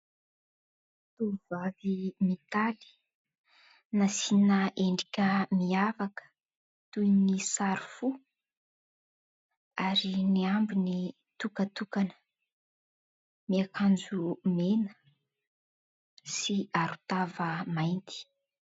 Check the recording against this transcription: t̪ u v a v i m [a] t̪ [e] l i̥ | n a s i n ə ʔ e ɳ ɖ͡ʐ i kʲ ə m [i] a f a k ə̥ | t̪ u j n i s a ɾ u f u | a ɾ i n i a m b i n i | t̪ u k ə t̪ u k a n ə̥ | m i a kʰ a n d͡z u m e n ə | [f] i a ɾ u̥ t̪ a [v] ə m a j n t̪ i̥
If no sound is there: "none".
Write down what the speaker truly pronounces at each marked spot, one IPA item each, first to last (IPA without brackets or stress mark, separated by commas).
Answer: i, a, i, s, v